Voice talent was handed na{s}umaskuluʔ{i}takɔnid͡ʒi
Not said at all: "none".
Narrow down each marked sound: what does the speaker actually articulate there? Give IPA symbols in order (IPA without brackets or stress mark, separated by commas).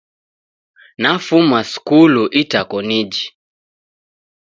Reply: f, i